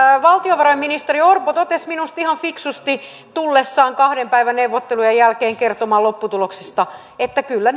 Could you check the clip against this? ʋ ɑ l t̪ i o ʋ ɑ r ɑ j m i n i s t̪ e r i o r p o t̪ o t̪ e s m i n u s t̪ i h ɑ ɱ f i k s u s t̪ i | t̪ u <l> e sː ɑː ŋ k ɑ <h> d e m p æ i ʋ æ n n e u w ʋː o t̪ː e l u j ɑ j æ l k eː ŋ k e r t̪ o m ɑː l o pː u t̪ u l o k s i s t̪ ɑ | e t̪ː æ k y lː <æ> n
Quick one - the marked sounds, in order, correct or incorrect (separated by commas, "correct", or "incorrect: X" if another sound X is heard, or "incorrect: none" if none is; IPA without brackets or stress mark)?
incorrect: lː, correct, correct